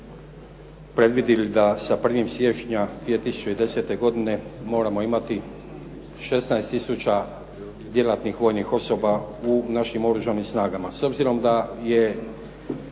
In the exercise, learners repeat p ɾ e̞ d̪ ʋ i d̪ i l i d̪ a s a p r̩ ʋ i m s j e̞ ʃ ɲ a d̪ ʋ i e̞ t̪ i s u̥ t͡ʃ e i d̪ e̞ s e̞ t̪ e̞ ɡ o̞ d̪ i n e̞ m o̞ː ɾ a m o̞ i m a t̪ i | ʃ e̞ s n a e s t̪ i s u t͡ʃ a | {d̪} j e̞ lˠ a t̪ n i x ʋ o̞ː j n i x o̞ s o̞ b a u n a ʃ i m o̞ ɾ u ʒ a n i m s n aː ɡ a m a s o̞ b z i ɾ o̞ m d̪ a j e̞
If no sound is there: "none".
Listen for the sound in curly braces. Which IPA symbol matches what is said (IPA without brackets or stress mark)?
d̪